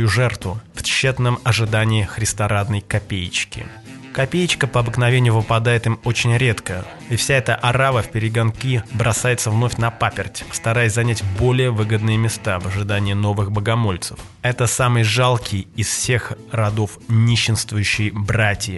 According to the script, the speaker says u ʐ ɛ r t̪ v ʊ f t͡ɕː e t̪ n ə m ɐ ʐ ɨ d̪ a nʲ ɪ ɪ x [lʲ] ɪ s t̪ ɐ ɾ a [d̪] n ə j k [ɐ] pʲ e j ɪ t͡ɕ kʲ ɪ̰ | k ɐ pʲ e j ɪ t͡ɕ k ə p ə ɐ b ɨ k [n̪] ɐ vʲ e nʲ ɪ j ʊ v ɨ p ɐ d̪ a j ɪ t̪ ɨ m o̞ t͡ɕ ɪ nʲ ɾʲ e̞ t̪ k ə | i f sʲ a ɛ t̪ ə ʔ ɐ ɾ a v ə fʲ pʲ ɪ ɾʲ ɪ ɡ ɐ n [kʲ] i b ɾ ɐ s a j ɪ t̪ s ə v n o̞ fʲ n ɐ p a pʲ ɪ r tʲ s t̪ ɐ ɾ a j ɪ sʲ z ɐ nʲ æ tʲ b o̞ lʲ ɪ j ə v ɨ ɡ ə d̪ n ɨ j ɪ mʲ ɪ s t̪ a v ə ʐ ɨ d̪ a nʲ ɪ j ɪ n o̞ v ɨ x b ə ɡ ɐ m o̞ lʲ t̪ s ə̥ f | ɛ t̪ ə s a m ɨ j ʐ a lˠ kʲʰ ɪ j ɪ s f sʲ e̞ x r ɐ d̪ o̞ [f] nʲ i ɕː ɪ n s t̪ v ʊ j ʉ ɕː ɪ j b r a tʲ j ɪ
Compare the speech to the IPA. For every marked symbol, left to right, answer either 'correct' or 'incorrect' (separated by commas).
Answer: incorrect, correct, correct, correct, correct, correct